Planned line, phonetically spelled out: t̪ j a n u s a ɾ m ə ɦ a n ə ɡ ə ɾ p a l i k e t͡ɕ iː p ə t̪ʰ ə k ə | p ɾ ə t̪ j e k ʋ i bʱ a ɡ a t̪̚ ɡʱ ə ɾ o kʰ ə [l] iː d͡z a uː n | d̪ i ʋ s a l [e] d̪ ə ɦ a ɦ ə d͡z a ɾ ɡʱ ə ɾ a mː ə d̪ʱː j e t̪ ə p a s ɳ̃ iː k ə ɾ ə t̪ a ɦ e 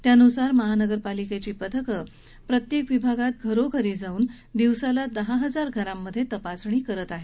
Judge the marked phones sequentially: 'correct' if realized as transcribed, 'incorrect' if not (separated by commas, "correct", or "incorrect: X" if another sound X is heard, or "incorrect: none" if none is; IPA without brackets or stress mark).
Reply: incorrect: ɾ, incorrect: a